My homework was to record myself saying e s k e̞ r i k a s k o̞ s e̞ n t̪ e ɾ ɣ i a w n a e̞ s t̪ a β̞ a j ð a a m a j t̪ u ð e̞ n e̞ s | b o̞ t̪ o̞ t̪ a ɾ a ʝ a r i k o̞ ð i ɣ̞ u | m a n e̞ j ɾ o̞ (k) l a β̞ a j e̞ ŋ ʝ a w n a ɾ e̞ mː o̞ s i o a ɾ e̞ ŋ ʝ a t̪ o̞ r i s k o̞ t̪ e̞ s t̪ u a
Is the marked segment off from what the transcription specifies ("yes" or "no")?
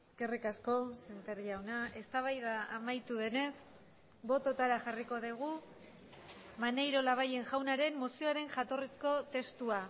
yes